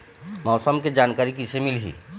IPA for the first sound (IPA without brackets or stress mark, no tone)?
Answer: m